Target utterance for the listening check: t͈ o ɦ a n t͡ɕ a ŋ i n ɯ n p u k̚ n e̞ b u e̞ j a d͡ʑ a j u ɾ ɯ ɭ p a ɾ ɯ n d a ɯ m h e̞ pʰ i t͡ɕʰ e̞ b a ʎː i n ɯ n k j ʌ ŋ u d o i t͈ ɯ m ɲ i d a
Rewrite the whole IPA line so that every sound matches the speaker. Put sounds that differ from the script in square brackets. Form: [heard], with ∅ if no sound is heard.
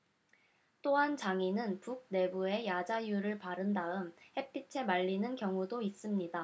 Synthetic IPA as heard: t͈ o ɦ a n t͡ɕ a ŋ i n ɯ n p u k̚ n e̞ b u e̞ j a d͡ʑ a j u ɾ ɯ ɭ p a ɾ ɯ n d a ɯ m h e̞ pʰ i t͡ɕʰ e̞ [m] a ʎː i n ɯ n k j ʌ ŋ u d o i [s͈] ɯ m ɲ i d a